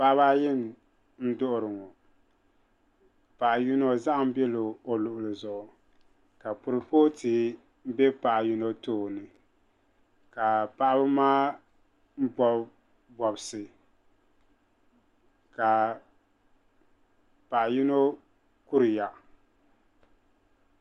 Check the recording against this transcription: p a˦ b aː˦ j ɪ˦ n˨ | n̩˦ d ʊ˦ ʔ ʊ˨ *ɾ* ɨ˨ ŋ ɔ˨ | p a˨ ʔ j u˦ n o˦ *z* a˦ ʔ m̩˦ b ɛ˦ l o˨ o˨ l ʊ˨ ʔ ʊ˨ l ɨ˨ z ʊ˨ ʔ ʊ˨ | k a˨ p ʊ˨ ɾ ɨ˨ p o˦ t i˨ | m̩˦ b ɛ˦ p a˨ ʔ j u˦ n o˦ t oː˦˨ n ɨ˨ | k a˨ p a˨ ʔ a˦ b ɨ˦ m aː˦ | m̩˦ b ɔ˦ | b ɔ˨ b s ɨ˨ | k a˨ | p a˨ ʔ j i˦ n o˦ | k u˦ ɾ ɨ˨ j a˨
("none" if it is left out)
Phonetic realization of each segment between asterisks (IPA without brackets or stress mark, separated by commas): ɾ, z